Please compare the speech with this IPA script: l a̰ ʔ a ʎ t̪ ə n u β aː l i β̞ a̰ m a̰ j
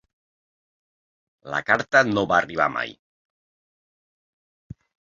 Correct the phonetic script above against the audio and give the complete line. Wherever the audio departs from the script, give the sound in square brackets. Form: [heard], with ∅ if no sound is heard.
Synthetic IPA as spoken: l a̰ [k] a [ɾ] t̪ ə n [o] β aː [r] i β̞ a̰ m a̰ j